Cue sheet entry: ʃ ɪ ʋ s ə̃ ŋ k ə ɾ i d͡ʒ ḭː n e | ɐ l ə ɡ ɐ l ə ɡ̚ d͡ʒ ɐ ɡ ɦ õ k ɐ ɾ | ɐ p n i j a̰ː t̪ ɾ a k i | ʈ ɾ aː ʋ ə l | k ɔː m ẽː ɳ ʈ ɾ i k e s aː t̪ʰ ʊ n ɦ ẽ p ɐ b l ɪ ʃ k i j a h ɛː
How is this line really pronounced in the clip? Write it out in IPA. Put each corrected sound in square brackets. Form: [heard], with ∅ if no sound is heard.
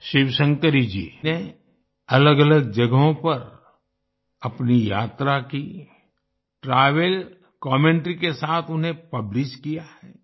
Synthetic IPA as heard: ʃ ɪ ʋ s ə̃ ŋ k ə ɾ i d͡ʒ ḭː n e | ɐ l ə ɡ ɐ l ə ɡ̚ d͡ʒ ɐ ɡ ɦ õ [p] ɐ ɾ | ɐ p n i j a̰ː t̪ ɾ a k i | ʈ ɾ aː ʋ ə l | k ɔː m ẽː ɳ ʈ ɾ i k e s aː t̪ʰ ʊ n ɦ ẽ p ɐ b l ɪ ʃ k i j a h ɛː